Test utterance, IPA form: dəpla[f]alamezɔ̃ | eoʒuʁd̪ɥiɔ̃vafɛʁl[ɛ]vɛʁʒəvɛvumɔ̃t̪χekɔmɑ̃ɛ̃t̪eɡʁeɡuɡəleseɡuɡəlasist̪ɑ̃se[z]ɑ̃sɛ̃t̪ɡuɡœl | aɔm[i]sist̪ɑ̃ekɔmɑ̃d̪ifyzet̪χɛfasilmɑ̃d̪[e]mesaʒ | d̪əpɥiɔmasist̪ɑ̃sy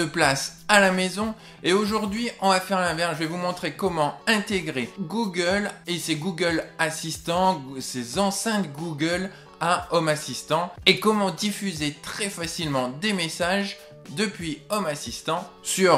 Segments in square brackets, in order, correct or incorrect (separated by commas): incorrect, incorrect, correct, incorrect, correct